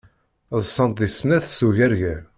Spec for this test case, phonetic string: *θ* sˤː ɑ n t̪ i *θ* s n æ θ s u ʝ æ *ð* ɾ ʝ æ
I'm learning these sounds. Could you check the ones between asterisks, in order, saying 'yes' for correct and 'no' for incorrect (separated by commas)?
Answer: no, no, no